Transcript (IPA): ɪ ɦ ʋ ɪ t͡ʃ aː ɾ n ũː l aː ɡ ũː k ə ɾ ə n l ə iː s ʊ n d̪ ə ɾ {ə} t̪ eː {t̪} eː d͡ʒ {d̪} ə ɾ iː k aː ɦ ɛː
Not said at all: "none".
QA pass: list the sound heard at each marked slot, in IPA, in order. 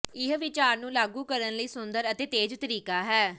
ə, t̪, t̪

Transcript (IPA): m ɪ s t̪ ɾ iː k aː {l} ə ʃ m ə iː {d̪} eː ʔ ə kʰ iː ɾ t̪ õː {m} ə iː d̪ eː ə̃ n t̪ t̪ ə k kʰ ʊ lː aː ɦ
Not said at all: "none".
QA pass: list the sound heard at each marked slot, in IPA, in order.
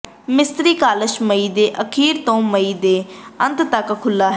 l, d̪, m

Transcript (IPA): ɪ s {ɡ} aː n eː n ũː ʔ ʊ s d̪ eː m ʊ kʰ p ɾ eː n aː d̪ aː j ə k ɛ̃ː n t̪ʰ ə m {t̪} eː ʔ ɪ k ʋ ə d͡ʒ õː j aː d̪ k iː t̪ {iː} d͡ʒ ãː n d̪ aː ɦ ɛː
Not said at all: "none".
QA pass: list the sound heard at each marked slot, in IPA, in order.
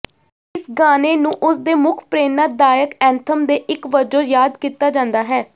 ɡ, d̪, aː

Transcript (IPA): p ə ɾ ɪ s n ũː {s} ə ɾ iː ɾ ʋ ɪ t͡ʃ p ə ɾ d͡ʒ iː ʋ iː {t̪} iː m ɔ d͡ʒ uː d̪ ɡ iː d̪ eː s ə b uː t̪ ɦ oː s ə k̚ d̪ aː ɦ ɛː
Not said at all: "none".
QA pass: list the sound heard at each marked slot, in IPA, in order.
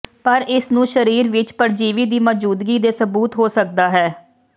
ʃ, d̪

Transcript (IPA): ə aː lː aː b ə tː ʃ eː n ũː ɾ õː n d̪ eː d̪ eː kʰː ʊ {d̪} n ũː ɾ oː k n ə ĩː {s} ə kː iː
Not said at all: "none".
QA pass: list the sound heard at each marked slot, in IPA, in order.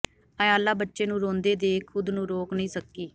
d̪, s

